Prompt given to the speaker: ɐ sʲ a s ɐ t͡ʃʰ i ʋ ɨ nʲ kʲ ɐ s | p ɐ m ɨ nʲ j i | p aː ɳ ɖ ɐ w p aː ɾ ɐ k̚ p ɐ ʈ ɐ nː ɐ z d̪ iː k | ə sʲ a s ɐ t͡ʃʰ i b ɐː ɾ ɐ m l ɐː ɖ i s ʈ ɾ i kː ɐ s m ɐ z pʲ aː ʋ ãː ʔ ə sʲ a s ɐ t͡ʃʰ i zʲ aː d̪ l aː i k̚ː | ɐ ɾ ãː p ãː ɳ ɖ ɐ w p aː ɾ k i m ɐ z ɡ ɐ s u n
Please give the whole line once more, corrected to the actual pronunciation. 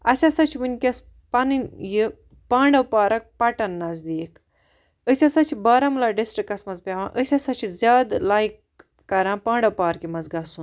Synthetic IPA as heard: ɐ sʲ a s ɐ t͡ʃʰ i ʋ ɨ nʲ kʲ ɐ s | p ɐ n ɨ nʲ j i | p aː ɳ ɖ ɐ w p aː ɾ ɐ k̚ p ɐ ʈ ɐ nː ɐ z d̪ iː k | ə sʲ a s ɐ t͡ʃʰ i b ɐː ɾ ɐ m l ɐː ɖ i s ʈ ɾ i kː ɐ s m ɐ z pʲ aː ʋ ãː ʔ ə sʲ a s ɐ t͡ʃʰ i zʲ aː d̪ l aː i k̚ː | ɐ ɾ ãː p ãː ɳ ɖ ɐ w p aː ɾ k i m ɐ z ɡ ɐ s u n